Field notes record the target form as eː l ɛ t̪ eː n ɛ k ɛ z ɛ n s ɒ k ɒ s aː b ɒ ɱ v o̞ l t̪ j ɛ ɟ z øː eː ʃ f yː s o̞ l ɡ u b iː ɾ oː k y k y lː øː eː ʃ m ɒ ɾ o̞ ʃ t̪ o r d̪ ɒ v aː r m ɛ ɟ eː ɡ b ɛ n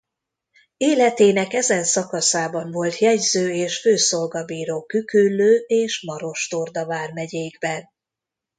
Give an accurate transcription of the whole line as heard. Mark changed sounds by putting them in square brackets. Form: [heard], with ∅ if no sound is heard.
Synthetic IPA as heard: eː l ɛ t̪ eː n ɛ k ɛ z ɛ n s ɒ k ɒ s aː b ɒ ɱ v o̞ l t̪ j ɛ ɟ z øː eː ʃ f [øː] s o̞ l ɡ [ɒ] b iː ɾ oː k y k y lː øː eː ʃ m ɒ ɾ o̞ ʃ t̪ o r d̪ ɒ v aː r m ɛ ɟ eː ɡ b ɛ n